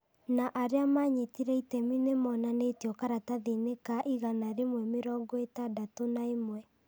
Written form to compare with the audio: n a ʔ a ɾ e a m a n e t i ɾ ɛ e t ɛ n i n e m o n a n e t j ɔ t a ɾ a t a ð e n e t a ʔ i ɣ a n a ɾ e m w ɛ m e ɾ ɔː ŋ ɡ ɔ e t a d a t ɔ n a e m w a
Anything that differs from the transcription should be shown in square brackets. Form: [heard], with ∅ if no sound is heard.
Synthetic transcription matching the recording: n a ʔ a ɾ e a m a [ɲ] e t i ɾ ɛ [i] t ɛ [m] i n e m [ɔ] n a n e t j ɔ [k] a ɾ a t a ð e n e [k] a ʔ i ɣ a n a ɾ e m w ɛ m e ɾ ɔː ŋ ɡ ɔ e t a d a t [o] n a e m w [ɛ]